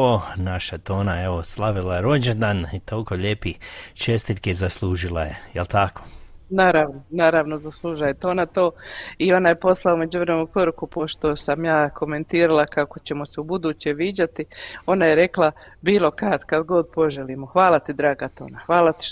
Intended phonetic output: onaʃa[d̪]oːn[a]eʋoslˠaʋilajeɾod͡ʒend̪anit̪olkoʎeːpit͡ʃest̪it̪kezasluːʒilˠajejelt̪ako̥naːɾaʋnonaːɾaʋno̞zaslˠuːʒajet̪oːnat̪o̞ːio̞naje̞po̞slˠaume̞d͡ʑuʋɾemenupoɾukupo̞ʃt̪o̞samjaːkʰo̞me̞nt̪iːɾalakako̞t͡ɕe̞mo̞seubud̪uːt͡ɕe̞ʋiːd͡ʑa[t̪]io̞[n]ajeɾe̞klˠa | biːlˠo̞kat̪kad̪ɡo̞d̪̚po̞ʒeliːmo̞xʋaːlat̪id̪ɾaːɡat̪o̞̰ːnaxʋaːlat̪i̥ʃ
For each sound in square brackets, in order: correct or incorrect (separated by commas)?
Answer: incorrect, correct, correct, correct